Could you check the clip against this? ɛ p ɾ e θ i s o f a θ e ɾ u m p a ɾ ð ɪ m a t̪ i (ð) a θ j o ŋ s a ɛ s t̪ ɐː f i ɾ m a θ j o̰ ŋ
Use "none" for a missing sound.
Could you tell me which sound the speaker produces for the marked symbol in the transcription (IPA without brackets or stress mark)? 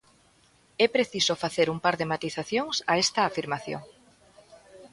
θ